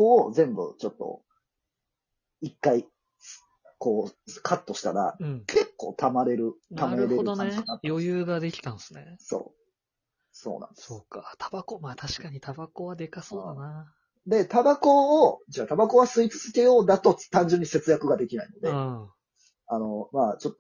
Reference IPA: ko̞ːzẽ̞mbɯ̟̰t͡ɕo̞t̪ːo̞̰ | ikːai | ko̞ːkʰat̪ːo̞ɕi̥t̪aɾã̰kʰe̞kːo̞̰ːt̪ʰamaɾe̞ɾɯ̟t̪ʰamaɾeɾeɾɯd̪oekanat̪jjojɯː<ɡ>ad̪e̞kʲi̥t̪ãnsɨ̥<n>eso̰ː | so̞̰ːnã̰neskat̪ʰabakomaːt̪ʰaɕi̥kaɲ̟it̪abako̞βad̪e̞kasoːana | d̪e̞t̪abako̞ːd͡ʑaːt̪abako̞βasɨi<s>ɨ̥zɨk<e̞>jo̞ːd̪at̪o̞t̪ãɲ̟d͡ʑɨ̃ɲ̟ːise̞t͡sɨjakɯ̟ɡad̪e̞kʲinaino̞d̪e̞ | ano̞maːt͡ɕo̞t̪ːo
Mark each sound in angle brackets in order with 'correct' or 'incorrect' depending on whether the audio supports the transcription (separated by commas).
correct, correct, incorrect, correct